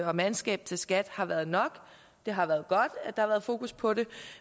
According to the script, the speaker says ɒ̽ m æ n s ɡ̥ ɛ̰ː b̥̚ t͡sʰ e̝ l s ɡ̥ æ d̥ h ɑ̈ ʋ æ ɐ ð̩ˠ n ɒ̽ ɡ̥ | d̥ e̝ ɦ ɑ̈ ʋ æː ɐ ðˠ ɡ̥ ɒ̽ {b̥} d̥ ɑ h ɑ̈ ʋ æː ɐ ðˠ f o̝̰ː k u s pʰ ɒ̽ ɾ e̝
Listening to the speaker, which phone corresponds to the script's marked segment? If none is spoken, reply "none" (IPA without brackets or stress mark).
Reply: d̥